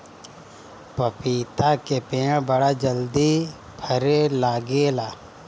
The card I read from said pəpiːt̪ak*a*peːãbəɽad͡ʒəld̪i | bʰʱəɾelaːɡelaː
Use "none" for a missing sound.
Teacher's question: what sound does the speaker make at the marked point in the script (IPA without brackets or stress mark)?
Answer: e